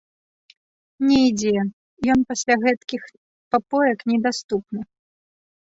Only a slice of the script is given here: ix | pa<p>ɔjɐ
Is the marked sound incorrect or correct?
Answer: correct